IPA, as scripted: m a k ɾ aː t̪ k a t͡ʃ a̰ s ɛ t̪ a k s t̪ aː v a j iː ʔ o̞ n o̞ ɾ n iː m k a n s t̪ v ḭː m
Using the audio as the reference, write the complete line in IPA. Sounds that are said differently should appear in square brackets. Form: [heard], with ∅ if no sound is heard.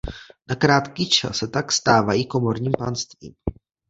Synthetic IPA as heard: [n] a k ɾ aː t̪ k [i] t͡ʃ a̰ s ɛ t̪ a k s t̪ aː v a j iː [k] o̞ [m] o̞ ɾ [ɲ] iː m [p] a n s t̪ v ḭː m